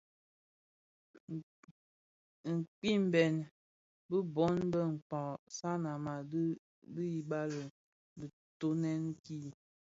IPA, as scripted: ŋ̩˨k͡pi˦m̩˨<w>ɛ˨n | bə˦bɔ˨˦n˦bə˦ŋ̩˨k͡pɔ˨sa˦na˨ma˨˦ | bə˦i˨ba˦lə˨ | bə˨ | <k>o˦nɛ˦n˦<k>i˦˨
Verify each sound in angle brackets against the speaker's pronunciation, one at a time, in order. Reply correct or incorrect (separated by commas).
incorrect, incorrect, correct